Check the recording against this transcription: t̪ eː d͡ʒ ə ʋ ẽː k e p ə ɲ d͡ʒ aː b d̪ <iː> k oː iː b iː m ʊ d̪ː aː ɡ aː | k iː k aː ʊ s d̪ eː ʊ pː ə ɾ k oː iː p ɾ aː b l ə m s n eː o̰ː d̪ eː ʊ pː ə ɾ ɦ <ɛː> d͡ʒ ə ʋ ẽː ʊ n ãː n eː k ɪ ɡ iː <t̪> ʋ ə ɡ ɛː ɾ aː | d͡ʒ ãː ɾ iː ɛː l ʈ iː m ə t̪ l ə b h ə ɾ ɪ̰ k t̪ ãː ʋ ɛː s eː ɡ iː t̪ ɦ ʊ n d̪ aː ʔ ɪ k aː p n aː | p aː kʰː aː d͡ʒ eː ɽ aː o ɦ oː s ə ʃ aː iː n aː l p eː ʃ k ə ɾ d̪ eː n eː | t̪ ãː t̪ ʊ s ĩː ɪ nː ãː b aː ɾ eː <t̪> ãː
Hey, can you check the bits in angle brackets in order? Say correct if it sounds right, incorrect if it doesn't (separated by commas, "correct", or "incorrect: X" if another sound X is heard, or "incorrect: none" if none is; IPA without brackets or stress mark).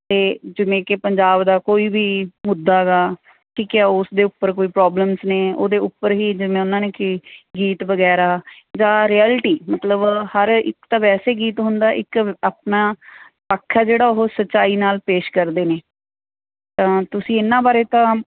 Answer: incorrect: aː, incorrect: iː, correct, correct